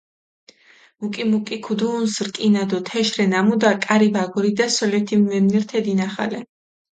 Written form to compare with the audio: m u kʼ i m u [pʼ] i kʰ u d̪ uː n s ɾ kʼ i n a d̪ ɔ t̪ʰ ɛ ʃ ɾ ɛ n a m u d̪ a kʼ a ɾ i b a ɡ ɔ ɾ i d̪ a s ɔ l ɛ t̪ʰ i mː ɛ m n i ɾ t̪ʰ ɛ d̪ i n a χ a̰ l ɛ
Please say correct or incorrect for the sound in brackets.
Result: incorrect